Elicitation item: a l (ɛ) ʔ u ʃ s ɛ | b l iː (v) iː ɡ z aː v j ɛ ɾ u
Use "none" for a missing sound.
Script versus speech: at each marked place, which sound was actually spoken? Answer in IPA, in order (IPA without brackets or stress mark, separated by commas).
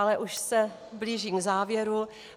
ɛ, ʒ